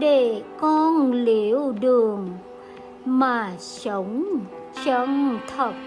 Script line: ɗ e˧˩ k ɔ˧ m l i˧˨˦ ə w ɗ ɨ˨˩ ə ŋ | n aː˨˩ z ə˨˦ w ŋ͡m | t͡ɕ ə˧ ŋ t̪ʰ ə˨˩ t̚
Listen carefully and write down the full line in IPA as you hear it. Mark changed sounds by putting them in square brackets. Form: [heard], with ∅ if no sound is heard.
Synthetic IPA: ɗ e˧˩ k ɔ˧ [n] l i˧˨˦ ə w ɗ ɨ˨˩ ə ŋ | [m] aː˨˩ [s] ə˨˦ w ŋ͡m | t͡ɕ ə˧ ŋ t̪ʰ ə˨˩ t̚